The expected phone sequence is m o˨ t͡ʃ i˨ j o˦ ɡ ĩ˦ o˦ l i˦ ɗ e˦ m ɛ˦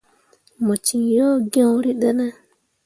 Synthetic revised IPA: m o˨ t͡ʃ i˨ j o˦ ɡ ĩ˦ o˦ ɾ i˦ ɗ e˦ n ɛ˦